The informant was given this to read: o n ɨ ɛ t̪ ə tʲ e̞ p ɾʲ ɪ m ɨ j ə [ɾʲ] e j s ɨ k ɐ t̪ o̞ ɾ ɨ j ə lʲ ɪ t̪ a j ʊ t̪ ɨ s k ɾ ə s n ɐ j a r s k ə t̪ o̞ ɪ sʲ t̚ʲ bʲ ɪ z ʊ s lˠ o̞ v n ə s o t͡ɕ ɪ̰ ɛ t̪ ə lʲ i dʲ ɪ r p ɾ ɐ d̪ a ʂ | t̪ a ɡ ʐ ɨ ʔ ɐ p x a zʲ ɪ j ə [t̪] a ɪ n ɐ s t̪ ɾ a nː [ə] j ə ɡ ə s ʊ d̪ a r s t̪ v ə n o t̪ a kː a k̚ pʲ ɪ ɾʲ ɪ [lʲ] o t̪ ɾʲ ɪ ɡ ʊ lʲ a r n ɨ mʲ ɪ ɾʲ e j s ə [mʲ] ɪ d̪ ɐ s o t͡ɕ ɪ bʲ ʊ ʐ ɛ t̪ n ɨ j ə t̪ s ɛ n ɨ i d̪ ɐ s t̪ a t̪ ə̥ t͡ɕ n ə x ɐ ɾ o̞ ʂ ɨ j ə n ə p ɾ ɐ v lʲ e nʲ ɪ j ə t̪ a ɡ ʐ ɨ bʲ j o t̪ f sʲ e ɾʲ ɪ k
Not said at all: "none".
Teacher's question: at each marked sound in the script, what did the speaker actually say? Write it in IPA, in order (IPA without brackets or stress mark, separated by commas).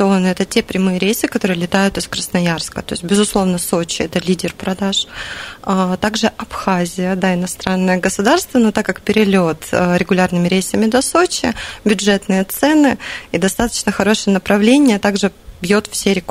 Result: ɾʲ, d̪, ə, lʲ, mʲ